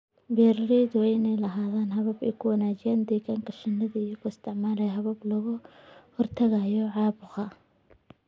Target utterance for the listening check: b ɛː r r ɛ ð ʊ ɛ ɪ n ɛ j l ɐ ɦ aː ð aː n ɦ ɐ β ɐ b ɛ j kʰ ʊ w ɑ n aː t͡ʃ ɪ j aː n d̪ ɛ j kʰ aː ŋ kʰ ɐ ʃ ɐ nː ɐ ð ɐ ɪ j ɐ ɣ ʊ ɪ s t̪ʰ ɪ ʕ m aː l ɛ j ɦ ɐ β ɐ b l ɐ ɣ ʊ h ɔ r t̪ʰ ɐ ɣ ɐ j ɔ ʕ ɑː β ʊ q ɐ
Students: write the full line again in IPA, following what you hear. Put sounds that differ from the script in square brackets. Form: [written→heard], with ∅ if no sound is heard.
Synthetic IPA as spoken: b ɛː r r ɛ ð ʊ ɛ ɪ n ɛ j l ɐ ɦ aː ð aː n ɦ ɐ β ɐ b ɛ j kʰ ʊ w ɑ n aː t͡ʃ ɪ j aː n d̪ ɛ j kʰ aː ŋ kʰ ɐ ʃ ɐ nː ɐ ð ɐ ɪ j ɐ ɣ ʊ ɪ s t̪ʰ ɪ ʕ m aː l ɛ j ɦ ɐ β ɐ b l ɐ ɣ ʊ h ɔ r t̪ʰ ɐ ɣ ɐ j ɔ ʕ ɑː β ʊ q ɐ

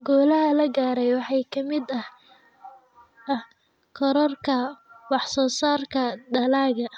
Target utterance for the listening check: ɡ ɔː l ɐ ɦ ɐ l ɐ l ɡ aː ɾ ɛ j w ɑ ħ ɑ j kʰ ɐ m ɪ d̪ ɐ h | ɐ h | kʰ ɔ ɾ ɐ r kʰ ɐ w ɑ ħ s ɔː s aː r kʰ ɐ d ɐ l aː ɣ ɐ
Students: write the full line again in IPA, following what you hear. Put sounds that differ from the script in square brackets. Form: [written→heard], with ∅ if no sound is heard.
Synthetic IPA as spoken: ɡ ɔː l ɐ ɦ ɐ l ɐ [l→∅] ɡ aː ɾ ɛ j w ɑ ħ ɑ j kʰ ɐ m ɪ d̪ ɐ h | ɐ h | kʰ ɔ ɾ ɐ r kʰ ɐ w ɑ ħ s ɔː s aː r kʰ ɐ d ɐ l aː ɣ ɐ

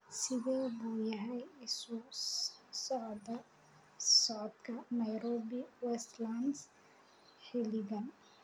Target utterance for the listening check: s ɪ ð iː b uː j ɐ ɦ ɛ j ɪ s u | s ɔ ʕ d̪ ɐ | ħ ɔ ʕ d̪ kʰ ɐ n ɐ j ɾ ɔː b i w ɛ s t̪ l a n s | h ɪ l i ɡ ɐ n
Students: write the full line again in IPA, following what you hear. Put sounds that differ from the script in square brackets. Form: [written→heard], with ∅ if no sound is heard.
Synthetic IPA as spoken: s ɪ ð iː b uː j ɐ ɦ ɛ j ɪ s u | s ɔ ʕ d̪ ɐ | [ħ→s] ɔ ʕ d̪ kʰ ɐ n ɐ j ɾ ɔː b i w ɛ s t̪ l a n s | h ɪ l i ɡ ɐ n

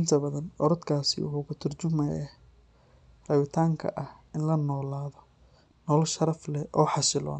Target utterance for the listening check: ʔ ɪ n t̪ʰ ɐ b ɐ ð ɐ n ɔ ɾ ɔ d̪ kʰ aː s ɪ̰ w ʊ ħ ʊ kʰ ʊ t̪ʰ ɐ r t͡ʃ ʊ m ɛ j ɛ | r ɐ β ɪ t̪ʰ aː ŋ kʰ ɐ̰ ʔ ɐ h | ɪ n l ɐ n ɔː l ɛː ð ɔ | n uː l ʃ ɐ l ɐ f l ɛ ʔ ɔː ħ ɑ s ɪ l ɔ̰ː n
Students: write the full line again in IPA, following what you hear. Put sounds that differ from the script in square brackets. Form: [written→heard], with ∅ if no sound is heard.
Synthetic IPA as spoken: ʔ ɪ n t̪ʰ ɐ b ɐ ð ɐ n ɔ ɾ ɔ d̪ kʰ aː s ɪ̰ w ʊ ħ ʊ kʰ ʊ t̪ʰ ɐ r t͡ʃ ʊ m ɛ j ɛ | r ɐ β ɪ t̪ʰ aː ŋ kʰ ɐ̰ ʔ ɐ h | ɪ n l ɐ n ɔː l [ɛː→aː] ð ɔ | n [uː→ɔː] l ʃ ɐ [l→ɾ] ɐ f l ɛ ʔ ɔː ħ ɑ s ɪ l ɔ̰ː n

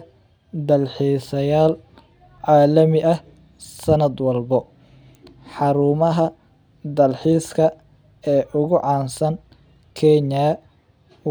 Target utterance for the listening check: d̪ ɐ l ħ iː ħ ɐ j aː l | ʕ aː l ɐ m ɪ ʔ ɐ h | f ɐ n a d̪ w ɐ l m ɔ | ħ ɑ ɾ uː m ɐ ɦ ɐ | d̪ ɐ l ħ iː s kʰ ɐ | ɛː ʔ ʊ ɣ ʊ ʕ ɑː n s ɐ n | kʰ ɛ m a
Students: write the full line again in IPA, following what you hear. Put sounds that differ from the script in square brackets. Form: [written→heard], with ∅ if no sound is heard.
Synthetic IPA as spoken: d̪ ɐ l ħ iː [ħ→s] ɐ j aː l | ʕ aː l ɐ m ɪ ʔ ɐ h | [f→s] ɐ n [a→ɐ] d̪ w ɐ l [m→b] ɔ | ħ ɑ ɾ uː m ɐ ɦ ɐ | d̪ ɐ l ħ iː s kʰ ɐ | ɛː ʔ ʊ ɣ ʊ ʕ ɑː n s ɐ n | kʰ ɛ [m→ɲ] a

